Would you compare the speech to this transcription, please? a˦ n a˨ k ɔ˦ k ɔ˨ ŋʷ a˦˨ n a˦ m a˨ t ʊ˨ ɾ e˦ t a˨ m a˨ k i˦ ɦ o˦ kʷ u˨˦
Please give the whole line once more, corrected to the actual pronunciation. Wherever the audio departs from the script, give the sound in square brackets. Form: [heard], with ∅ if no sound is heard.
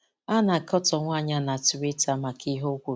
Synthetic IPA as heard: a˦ n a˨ k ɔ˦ [t] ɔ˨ ŋʷ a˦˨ [ɲ] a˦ [n] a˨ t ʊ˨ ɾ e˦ t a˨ m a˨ k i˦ ɦ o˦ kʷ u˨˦